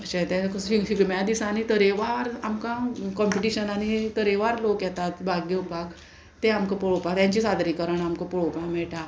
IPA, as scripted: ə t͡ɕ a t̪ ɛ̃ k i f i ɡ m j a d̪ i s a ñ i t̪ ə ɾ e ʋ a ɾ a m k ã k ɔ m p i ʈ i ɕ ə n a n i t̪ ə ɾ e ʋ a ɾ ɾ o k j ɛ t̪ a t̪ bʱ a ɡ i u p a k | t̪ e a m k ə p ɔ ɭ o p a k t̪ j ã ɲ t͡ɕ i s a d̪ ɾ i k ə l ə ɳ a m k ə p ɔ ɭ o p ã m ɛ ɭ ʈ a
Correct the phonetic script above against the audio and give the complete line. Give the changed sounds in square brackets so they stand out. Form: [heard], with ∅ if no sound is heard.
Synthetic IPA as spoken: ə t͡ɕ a t̪ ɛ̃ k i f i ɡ m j a d̪ i s a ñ i t̪ ə ɾ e ʋ a ɾ a m k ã k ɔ m p i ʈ i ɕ ə n a n i t̪ ə ɾ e ʋ a ɾ [l] o k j ɛ t̪ a t̪ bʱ a ɡ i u p a k | t̪ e a m k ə p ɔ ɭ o p a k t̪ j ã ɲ t͡ɕ i s a d̪ ɾ i k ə [ɾ] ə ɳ a m k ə p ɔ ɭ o p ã m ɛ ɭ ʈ a